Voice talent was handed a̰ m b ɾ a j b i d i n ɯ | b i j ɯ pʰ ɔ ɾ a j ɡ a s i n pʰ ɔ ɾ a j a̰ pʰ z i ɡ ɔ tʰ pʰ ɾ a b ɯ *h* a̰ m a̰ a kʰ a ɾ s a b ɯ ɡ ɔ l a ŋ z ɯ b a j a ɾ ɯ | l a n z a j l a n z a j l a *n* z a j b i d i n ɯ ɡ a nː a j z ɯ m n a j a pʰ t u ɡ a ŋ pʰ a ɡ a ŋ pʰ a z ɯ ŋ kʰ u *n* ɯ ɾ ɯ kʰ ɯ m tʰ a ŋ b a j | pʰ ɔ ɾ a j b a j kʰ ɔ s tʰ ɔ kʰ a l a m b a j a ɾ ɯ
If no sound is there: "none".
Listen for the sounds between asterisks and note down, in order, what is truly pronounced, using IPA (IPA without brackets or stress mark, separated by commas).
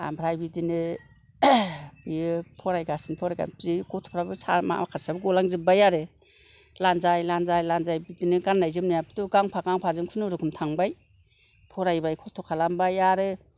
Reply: s, n, n